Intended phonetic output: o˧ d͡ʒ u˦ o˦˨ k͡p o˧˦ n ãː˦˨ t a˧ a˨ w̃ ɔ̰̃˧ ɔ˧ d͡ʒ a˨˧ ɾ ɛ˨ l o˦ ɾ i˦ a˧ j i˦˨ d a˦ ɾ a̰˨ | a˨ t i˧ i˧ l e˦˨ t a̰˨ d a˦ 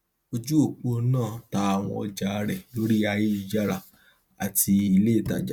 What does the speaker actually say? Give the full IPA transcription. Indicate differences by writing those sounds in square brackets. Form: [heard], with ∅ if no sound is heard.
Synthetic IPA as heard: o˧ d͡ʒ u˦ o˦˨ k͡p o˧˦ n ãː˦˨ t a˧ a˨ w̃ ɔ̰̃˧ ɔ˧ d͡ʒ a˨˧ ɾ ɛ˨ l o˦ ɾ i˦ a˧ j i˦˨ [d͡ʒ] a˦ ɾ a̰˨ | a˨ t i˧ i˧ l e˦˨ t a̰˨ [d͡ʒ] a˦